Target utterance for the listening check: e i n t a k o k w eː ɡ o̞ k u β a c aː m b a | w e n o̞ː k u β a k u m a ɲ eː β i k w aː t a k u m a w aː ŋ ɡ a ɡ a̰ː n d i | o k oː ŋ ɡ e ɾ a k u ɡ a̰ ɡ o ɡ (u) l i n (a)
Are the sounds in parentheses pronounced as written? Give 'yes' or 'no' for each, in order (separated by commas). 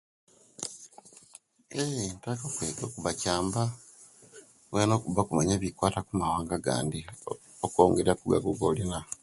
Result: no, yes